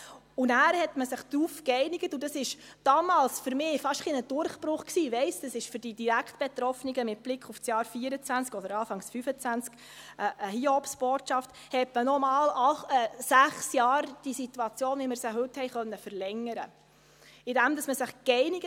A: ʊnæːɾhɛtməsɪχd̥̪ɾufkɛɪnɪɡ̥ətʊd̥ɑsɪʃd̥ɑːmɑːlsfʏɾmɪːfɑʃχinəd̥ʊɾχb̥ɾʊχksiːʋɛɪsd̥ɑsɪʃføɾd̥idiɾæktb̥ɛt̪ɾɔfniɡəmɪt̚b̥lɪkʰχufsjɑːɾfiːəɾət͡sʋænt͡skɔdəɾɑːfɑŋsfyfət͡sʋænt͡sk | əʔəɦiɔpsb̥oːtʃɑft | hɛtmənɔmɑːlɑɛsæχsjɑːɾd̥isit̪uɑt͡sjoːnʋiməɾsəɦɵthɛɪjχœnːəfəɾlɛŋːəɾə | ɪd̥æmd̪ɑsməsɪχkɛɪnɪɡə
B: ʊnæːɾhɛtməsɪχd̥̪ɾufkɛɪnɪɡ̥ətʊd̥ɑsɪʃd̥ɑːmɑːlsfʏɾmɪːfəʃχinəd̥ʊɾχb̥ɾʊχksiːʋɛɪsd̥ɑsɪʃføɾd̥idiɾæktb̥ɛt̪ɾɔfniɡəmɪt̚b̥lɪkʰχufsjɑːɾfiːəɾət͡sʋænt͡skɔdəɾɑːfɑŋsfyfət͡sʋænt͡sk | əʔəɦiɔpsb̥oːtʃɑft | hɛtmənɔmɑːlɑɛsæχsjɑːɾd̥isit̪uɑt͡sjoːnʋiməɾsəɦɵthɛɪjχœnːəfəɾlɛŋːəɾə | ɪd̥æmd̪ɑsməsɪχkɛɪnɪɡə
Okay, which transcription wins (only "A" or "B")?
A